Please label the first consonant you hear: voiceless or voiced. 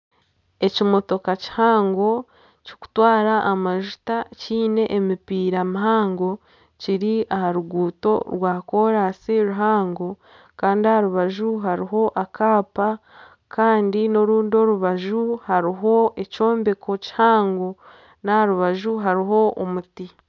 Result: voiceless